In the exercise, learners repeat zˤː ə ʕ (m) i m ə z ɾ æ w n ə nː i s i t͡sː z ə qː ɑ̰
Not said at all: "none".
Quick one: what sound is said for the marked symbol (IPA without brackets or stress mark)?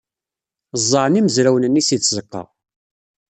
n